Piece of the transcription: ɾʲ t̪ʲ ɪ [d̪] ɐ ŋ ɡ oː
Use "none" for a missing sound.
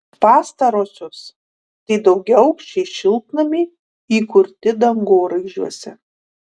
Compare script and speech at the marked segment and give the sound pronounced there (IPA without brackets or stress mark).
d̪